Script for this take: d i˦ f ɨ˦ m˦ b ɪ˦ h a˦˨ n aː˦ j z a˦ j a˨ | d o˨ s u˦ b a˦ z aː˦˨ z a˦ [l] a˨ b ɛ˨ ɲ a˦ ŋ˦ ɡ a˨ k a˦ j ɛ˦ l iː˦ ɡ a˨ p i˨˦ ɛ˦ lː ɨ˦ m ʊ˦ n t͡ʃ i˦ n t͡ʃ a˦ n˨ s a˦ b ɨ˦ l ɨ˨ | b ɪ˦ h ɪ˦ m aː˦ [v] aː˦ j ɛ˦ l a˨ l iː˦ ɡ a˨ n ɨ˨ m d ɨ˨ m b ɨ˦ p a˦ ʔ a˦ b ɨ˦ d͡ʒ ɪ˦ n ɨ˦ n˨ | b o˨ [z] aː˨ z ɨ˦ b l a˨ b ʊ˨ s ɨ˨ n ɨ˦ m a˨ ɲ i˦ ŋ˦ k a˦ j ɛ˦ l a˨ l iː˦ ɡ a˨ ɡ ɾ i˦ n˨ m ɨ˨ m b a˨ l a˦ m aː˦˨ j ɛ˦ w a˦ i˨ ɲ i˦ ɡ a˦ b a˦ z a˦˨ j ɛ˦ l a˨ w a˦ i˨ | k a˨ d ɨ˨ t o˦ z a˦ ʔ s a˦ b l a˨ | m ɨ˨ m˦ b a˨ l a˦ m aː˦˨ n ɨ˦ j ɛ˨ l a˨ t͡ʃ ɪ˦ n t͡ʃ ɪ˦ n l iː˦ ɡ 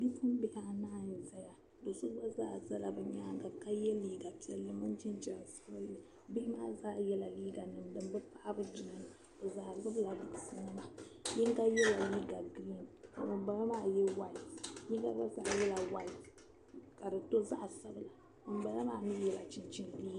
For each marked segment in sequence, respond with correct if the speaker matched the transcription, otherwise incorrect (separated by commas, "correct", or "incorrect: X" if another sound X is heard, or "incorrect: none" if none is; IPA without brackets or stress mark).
correct, incorrect: z, correct